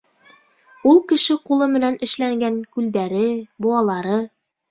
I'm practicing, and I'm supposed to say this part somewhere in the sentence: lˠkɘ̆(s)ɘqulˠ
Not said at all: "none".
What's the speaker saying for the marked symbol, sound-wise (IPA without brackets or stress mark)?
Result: ʃ